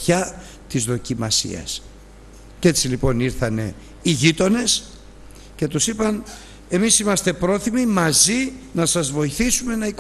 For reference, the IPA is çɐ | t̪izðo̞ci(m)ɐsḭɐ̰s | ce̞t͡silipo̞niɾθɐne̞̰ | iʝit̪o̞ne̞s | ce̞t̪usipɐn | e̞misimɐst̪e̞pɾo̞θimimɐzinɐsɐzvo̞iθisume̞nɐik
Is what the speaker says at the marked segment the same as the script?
yes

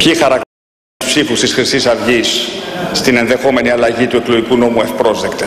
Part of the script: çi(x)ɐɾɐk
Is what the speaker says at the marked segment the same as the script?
yes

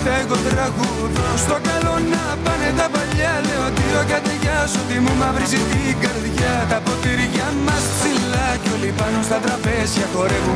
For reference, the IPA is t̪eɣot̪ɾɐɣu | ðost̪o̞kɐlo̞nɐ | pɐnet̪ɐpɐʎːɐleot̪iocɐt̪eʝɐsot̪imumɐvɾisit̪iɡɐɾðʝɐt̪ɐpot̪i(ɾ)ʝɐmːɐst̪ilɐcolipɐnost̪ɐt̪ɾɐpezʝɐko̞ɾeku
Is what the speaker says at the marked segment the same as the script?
yes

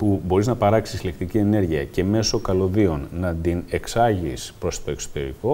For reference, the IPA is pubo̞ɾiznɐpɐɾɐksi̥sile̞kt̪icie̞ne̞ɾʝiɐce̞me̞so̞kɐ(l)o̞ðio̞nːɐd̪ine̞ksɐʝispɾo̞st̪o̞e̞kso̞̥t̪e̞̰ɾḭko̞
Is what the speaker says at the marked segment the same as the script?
yes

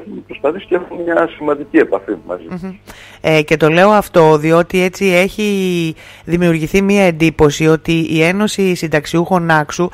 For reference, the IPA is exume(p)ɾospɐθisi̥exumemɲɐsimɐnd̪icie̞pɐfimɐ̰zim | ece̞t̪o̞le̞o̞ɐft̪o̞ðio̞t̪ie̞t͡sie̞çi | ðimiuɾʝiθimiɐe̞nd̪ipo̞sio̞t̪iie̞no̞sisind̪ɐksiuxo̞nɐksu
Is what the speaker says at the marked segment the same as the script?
yes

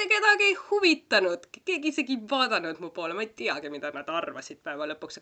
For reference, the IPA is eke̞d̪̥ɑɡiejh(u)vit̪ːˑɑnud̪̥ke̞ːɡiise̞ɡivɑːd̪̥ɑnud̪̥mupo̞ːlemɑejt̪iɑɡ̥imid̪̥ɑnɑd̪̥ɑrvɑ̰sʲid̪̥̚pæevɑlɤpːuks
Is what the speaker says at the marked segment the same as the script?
yes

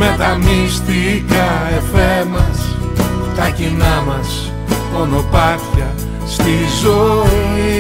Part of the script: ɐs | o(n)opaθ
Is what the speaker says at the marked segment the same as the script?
yes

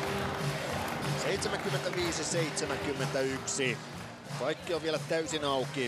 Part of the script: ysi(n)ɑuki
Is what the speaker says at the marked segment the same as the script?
yes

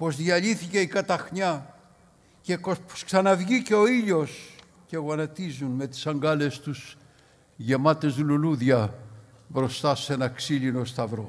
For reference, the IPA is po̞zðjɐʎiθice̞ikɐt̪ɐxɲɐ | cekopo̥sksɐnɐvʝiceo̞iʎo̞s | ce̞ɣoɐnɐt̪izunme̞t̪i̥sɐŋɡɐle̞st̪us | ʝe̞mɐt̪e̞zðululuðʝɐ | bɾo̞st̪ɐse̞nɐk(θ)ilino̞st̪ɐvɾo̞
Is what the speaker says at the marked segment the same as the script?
no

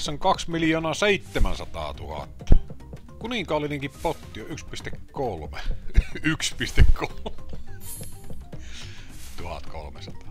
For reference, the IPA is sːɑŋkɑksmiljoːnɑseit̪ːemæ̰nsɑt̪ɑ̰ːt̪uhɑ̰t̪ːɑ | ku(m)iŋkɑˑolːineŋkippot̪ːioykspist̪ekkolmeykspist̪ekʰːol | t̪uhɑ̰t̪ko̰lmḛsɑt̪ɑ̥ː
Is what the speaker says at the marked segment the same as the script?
no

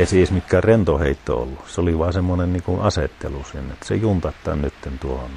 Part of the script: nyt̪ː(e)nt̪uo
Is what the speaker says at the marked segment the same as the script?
yes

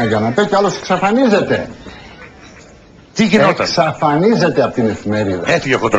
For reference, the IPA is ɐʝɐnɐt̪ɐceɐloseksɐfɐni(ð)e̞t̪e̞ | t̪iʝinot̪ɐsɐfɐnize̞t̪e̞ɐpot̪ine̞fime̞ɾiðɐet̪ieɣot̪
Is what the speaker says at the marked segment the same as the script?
no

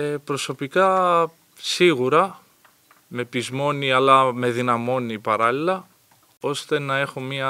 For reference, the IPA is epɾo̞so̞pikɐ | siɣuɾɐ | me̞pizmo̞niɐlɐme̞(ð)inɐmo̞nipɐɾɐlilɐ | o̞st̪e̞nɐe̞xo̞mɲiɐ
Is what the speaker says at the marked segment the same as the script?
yes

